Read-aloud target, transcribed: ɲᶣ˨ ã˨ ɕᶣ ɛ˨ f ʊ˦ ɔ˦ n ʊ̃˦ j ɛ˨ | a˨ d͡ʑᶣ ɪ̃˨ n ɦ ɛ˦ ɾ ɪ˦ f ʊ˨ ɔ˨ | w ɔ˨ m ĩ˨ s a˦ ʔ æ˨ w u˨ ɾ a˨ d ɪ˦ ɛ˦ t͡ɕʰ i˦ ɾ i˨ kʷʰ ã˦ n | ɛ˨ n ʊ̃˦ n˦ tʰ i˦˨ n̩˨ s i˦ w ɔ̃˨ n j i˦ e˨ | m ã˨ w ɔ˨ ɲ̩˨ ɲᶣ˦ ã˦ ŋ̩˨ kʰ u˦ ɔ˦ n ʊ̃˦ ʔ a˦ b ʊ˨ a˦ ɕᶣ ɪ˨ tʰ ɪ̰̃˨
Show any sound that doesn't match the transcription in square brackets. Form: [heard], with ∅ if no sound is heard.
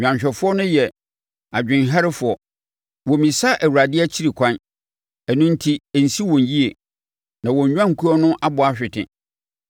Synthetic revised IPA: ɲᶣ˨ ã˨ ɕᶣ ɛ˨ f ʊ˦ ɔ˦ n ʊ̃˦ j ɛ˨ | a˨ d͡ʑᶣ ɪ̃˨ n ɦ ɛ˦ ɾ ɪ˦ f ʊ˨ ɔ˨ | w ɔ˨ m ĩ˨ s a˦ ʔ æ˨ w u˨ ɾ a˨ d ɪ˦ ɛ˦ t͡ɕʰ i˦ ɾ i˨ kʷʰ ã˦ n | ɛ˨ n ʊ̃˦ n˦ tʰ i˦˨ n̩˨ s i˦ w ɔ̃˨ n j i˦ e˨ | [n] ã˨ w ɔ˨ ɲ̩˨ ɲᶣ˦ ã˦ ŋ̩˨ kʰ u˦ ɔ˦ n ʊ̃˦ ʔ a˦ b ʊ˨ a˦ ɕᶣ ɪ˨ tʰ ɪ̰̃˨